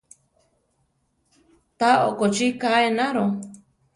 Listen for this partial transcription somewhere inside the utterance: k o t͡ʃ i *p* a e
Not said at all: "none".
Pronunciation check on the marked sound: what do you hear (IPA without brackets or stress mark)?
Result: k